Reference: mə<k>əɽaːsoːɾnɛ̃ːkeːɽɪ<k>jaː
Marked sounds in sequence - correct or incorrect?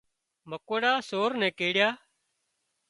correct, incorrect: none

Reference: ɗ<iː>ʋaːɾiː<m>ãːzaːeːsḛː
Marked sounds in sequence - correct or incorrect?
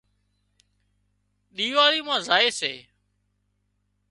correct, correct

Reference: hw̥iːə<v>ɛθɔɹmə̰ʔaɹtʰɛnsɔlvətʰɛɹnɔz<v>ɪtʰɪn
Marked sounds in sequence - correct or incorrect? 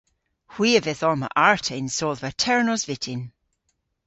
correct, correct

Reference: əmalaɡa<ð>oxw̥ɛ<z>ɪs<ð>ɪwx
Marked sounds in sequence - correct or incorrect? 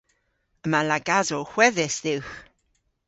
incorrect: z, incorrect: ð, correct

